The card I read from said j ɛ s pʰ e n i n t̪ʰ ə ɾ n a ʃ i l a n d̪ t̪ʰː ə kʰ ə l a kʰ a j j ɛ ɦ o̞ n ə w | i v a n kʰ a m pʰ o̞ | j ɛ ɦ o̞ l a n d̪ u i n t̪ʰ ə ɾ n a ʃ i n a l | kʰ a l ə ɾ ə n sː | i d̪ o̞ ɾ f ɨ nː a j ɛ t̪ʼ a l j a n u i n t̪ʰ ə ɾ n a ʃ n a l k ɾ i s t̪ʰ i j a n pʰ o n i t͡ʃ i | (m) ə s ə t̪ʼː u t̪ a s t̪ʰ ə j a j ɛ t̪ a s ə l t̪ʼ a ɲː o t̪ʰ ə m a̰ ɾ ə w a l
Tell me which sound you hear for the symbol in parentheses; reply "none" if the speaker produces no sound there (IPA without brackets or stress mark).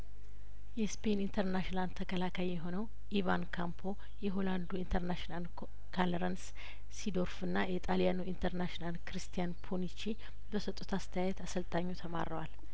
b